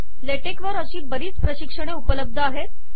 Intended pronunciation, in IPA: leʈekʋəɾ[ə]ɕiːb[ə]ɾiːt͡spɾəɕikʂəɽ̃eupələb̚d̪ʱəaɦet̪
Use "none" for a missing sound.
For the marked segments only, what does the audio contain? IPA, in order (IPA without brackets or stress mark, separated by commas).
ə, ə